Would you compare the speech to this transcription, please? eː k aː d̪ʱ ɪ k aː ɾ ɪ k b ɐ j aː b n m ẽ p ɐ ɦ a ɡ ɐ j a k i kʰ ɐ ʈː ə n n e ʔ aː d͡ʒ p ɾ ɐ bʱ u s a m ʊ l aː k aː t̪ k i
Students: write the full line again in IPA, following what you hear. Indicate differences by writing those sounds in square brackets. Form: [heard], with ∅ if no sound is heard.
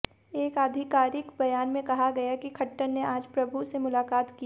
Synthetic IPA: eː k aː d̪ʱ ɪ k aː ɾ ɪ k b ɐ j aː [∅] n m ẽ [k] ɐ ɦ a ɡ ɐ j a k i kʰ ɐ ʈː ə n n e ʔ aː d͡ʒ p ɾ ɐ bʱ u s [e] m ʊ l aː k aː t̪ k i